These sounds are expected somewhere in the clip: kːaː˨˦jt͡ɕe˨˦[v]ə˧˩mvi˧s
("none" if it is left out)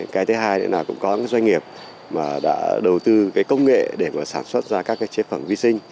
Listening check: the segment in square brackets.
f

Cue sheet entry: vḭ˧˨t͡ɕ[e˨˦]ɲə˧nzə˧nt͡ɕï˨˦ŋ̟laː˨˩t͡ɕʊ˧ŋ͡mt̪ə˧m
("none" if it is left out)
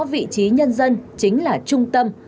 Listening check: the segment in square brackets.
i˨˦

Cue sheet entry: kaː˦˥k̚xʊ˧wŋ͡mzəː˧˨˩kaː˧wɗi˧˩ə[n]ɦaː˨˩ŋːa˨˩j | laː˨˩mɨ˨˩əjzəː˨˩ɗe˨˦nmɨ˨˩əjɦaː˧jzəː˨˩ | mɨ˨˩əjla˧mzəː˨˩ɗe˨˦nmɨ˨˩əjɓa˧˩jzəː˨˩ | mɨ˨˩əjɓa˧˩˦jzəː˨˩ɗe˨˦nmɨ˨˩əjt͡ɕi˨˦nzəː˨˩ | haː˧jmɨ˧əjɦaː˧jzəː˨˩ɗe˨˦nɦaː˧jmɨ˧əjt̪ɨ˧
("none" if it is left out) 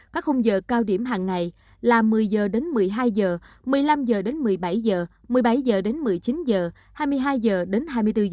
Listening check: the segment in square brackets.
m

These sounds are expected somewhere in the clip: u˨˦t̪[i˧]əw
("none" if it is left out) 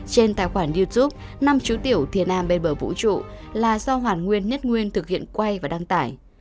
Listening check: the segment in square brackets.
i˧˩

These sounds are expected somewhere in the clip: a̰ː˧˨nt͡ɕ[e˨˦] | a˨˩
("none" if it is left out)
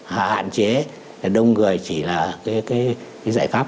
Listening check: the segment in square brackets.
e˨˦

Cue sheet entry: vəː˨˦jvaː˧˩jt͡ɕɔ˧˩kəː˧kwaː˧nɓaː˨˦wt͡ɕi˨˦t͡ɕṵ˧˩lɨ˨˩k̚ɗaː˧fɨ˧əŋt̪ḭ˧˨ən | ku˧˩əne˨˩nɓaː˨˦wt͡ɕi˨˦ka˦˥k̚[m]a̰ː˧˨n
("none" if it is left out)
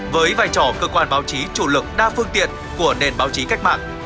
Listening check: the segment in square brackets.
m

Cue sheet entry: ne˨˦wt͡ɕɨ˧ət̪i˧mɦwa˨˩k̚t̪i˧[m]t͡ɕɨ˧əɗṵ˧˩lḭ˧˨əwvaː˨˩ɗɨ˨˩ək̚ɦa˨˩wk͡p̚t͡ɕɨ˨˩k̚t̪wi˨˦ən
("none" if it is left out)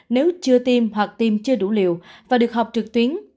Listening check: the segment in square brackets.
m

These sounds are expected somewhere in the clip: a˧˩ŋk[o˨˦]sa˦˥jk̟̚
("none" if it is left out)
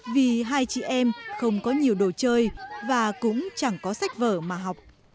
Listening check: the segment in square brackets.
ɔ˨˦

